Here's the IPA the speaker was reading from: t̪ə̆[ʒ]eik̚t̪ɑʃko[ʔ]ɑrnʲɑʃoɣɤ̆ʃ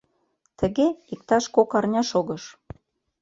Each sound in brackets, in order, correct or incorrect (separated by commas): incorrect, incorrect